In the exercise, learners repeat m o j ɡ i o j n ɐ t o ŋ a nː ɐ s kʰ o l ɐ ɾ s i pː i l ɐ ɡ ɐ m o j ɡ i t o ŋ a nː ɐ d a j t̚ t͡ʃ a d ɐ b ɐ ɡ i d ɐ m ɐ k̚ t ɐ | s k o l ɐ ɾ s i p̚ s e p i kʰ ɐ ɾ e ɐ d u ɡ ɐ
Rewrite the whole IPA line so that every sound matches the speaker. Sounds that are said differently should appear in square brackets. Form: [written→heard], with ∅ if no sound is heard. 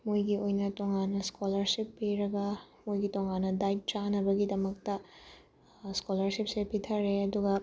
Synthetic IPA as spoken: m o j ɡ i o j n ɐ t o ŋ a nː ɐ s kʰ o l ɐ ɾ s i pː i [l→ɾ] ɐ ɡ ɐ m o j ɡ i t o ŋ a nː ɐ d a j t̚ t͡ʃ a [d→n] ɐ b ɐ ɡ i d ɐ m ɐ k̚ t ɐ | s k o l ɐ ɾ s i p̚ s e p i [kʰ→tʰ] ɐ ɾ e ɐ d u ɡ ɐ